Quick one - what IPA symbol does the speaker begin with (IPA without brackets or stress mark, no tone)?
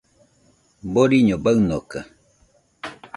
b